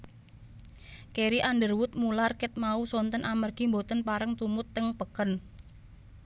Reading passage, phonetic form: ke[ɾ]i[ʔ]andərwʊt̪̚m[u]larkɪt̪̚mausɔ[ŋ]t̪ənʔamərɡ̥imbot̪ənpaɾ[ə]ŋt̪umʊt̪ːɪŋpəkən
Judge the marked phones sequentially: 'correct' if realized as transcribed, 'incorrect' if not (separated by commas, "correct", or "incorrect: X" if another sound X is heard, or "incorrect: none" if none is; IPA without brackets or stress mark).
correct, correct, correct, incorrect: n, correct